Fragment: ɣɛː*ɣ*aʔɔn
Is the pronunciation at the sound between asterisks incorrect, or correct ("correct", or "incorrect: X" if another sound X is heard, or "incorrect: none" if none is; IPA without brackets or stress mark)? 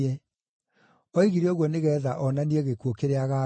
incorrect: ð